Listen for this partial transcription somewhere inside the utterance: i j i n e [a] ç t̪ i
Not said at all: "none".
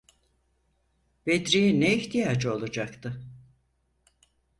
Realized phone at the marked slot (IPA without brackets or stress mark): i